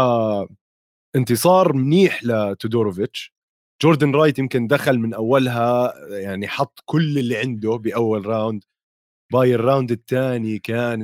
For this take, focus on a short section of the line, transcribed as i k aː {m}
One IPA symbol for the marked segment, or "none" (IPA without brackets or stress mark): n